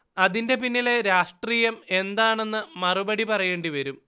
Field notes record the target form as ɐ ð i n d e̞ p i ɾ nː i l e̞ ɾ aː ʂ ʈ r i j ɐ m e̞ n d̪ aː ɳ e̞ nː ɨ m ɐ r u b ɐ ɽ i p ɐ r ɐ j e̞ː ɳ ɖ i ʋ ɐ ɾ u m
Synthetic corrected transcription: ɐ ð i n d e̞ p i nː i l e̞ ɾ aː ʂ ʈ r iː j ɐ m e̞ n d̪ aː ɳ e̞ nː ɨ m ɐ r u b ɐ ɽ i p ɐ r ɐ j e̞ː ɳ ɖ i ʋ ɐ ɾ u m